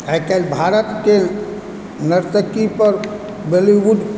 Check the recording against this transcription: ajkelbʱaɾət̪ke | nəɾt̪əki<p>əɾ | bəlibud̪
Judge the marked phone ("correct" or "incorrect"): correct